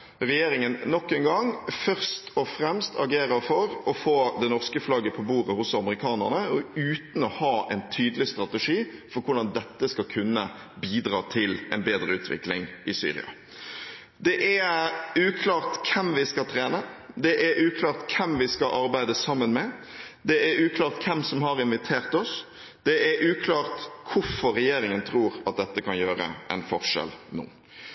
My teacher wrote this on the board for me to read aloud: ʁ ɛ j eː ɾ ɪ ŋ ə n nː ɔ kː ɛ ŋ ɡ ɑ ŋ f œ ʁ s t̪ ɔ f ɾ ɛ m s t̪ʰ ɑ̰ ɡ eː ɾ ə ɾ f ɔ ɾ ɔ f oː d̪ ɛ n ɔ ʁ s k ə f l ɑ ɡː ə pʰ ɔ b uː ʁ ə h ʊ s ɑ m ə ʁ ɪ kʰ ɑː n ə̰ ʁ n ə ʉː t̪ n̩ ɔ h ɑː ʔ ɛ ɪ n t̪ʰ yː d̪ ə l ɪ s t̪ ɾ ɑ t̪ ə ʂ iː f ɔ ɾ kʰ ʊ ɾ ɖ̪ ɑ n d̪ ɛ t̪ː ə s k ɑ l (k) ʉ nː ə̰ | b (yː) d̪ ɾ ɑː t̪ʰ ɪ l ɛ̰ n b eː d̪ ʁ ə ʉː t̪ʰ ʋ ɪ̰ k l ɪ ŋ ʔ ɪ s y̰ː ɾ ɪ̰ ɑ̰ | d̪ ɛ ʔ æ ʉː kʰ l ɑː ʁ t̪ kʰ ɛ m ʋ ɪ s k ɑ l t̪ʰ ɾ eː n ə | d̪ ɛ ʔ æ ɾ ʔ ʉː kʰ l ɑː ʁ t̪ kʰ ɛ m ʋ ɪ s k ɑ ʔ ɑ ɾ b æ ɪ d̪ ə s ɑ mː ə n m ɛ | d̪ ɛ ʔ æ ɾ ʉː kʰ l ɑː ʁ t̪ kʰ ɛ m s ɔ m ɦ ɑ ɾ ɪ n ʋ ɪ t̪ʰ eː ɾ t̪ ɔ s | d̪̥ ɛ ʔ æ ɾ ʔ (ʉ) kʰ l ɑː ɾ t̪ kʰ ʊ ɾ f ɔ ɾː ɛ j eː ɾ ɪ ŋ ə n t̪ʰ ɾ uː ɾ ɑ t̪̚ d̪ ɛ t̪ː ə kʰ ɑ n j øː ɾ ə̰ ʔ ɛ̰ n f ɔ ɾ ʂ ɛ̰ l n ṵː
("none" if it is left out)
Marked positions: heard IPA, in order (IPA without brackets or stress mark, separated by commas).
kʰ, iː, ʉː